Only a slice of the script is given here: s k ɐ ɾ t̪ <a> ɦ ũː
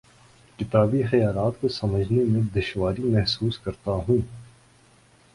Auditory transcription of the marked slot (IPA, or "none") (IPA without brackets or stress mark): a